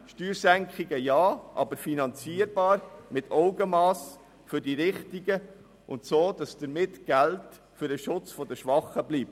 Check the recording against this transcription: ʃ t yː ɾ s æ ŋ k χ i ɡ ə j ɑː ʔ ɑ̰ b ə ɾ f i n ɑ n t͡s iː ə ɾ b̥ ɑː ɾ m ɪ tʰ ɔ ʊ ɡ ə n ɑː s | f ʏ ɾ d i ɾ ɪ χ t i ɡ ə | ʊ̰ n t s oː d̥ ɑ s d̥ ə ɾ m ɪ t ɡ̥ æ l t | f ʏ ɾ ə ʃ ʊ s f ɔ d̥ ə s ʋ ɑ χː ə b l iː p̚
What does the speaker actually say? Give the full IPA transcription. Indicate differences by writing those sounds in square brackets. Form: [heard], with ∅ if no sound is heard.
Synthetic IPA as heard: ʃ t yː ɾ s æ ŋ k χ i ɡ ə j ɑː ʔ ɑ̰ b ə ɾ f i n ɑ n t͡s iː ə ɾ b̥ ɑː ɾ m ɪ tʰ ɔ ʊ ɡ ə [m] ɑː s | f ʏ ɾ d i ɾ ɪ χ t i ɡ ə | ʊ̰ n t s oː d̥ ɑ s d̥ ə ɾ m ɪ t ɡ̥ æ l t | f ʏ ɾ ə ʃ ʊ [t͡s] f ɔ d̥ ə [ʃ] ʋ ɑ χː ə b l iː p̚

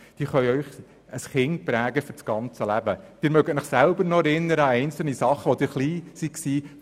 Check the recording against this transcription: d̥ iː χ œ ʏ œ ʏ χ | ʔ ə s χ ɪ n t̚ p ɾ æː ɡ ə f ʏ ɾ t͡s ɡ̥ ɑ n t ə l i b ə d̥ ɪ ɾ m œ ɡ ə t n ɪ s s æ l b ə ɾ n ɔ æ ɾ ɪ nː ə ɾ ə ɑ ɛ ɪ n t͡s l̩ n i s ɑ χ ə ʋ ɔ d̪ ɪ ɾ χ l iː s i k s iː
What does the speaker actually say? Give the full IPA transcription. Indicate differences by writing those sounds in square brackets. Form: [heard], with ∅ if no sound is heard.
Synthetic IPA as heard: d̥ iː χ œ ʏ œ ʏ χ | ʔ ə s χ ɪ n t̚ p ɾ æː ɡ ə f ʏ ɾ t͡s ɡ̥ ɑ n [t͡s] ə l [æ] b ə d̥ ɪ ɾ m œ ɡ ə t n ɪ [χ] s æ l b ə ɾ n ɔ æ ɾ ɪ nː ə ɾ ə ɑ ɛ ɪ n t͡s l̩ n i s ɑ χ ə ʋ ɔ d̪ ɪ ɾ χ l iː s i k s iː

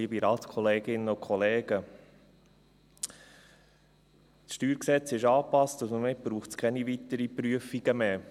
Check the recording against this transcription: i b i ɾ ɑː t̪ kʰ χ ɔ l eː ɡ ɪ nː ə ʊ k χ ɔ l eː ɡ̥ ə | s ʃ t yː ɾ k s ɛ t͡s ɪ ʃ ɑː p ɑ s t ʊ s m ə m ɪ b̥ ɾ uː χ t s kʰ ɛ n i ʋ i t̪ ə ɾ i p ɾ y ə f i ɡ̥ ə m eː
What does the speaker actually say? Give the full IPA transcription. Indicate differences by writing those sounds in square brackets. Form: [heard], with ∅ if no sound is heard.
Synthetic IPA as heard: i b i ɾ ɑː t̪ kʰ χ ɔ l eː ɡ ɪ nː ə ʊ k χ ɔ l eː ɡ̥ ə | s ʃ t yː ɾ k s ɛ t͡s ɪ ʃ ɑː p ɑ s t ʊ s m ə m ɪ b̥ ɾ uː χ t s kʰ ɛ n i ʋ i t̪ ə ɾ i p ɾ y ə f i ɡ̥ ə m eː

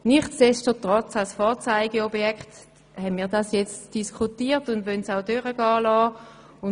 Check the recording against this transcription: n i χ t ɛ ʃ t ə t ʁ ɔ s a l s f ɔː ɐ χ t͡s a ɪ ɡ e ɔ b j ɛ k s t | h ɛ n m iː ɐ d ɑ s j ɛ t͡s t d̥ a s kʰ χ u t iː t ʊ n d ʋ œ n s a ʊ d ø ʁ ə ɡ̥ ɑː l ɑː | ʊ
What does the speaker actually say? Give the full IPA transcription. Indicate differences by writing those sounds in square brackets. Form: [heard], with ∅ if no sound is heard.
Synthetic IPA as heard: n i χ t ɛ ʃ t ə t ʁ ɔ [t͡s] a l s f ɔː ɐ [∅] t͡s a ɪ ɡ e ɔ b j ɛ k [χ] t | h ɛ n m iː ɐ d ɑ s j ɛ t͡s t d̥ [i] s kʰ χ u t iː t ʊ n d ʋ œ n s a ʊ d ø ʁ ə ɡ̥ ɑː l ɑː | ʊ

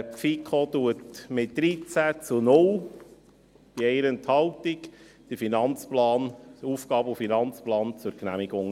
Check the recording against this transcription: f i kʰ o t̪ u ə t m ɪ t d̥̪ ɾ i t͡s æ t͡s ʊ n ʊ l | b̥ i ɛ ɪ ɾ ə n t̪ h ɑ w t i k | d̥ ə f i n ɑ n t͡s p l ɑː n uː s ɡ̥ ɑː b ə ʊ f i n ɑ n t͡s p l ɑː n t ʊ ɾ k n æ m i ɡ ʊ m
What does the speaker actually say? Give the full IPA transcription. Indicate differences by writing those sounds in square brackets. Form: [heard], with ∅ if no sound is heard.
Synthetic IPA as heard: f i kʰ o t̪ u ə t m ɪ t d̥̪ ɾ i t͡s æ t͡s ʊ n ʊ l | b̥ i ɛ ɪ ɾ ə n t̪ h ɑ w t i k | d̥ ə f i n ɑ n t͡s p l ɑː n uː [f] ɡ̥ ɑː b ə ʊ f i n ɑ n t͡s p l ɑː n [t͡s] ʊ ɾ k n æ m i ɡ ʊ [ŋ]

